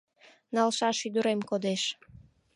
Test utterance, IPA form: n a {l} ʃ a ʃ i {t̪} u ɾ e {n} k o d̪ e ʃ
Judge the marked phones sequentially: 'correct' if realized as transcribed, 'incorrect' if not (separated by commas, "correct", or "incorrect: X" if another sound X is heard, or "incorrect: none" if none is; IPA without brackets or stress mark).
correct, incorrect: d̪, incorrect: m